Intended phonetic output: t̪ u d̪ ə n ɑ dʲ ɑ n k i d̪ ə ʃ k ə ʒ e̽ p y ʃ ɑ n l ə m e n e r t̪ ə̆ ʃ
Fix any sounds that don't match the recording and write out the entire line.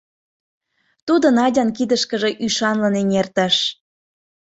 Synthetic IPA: t̪ u d̪ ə n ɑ dʲ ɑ n k i d̪ ə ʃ k ə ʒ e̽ ʔ y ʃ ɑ n l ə n e n e r t̪ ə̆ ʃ